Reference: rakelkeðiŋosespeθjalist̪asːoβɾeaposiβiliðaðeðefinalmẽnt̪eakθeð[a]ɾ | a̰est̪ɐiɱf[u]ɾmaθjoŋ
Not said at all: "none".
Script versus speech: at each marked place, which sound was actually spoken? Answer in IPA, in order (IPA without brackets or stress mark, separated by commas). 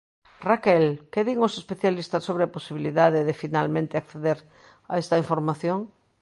e, o